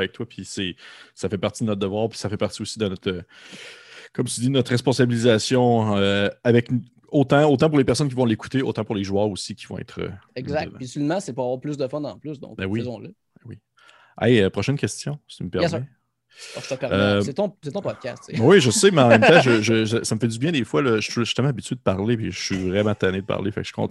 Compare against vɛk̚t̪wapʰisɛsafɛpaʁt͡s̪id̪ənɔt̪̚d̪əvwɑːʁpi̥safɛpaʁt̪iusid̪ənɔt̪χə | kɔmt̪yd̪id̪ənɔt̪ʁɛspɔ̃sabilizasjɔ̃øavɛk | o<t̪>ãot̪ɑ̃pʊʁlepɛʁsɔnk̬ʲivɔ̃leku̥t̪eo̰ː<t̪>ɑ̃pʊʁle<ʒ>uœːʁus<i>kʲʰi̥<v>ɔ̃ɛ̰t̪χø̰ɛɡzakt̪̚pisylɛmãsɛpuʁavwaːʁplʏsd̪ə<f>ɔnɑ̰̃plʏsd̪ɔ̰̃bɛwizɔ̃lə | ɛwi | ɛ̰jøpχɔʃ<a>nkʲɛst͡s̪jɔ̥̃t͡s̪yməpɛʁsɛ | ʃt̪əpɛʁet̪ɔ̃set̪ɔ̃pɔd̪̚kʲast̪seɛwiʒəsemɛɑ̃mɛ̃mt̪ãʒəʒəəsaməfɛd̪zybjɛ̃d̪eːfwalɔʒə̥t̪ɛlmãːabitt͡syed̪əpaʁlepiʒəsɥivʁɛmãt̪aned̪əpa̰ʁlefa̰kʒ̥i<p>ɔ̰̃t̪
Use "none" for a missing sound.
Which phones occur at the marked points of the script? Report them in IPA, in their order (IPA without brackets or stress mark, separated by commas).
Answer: t̪, t̪, ʒ, i, v, f, ɛ, k